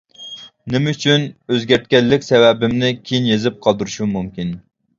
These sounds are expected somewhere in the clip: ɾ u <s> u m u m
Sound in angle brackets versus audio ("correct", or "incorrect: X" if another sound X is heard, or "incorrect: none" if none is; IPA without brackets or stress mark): incorrect: ʃ